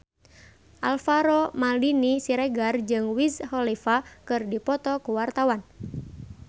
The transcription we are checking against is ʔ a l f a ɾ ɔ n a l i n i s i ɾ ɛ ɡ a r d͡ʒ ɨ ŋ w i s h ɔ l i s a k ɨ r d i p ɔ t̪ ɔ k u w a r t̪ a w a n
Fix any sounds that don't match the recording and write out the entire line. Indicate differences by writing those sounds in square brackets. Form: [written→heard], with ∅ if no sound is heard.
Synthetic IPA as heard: ʔ a l f a ɾ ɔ [n→m] a l i n i s i ɾ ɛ ɡ a r d͡ʒ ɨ ŋ w i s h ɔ l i [s→f] a k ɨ r d i p ɔ t̪ ɔ k u w a r t̪ a w a n